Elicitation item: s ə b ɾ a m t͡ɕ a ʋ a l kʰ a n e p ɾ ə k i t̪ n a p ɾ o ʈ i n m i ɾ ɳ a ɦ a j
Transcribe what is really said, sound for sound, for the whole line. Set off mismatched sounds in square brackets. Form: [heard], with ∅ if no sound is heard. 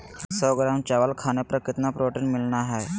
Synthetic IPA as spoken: s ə [ɡ] ɾ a m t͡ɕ a ʋ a l kʰ a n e p ɾ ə k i t̪ n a p ɾ o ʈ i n m i [l] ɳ a ɦ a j